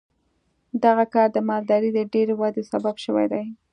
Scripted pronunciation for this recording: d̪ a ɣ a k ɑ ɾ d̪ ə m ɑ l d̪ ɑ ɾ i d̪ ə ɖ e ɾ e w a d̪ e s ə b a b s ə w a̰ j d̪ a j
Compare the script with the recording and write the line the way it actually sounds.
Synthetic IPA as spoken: d̪ a ɣ a k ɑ ɾ d̪ ə m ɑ l d̪ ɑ ɾ i d̪ ə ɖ e ɾ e w a d̪ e s a b a b ʃ ə w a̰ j d̪ a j